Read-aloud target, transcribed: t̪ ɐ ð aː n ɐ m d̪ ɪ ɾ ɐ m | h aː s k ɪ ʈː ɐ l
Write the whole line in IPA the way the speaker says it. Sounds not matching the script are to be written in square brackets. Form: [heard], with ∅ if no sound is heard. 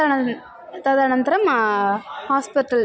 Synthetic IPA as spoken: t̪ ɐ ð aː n ɐ [n] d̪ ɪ ɾ ɐ m | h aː s [p] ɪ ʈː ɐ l